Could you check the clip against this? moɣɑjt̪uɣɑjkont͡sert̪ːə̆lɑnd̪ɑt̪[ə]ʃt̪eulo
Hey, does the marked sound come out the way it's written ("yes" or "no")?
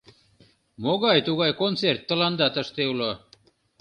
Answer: yes